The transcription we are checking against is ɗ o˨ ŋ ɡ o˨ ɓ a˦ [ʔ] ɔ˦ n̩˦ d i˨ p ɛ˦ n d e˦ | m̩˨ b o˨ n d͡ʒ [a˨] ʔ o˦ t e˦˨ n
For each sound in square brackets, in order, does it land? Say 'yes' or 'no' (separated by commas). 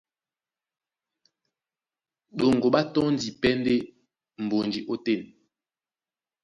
no, no